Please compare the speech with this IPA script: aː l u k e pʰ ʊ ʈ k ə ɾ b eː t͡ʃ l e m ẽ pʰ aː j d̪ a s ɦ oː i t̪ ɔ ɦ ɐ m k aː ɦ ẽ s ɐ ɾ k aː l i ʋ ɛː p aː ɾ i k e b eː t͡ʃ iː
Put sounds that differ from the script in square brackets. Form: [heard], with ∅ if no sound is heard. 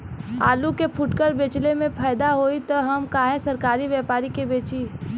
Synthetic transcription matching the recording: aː l u k e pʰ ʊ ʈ k ə ɾ b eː t͡ʃ l e m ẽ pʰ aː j d̪ a [∅] ɦ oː i t̪ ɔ ɦ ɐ m k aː ɦ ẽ s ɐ ɾ k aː [ɾ] i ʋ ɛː p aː ɾ i k e b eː t͡ʃ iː